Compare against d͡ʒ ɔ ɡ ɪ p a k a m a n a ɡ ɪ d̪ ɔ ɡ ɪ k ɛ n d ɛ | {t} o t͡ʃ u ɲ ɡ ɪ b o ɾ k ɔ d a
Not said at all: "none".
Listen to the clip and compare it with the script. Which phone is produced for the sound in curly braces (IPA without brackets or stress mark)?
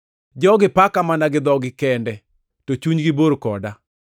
t